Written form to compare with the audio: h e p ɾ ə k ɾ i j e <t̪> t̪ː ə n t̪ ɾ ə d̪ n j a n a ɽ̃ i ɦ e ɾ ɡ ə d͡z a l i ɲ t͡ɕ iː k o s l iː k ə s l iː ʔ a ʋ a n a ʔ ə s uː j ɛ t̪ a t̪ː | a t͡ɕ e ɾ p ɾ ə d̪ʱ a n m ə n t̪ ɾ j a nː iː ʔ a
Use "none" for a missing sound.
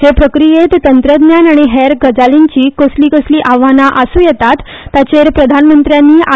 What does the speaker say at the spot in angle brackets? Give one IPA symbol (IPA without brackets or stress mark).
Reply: t̪